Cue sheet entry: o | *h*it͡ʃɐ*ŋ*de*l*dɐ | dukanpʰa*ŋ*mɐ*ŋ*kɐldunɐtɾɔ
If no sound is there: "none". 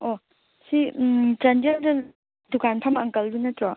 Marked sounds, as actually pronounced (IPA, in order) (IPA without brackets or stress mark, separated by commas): s, n, l, none, ŋ